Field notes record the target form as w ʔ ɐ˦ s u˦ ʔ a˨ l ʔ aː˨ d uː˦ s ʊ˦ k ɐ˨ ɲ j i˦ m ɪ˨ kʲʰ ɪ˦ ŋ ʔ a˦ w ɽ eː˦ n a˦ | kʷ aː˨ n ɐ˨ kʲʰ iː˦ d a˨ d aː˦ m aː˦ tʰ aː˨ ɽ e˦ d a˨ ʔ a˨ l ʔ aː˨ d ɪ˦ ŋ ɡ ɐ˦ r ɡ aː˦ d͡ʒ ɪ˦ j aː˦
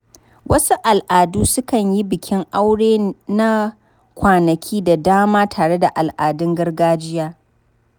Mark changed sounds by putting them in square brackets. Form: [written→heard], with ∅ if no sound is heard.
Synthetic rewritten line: w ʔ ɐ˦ s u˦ ʔ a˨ l ʔ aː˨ d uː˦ s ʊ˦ k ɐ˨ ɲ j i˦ [m→b] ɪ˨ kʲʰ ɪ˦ ŋ ʔ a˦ w ɽ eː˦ n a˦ | kʷ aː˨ n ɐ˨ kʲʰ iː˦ d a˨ d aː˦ m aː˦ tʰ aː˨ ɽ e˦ d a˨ ʔ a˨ l ʔ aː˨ d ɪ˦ ŋ ɡ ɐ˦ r ɡ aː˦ d͡ʒ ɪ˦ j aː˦